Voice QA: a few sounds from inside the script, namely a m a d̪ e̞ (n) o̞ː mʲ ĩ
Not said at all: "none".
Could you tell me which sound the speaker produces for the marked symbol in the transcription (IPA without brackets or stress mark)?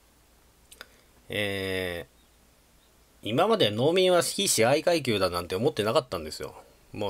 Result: n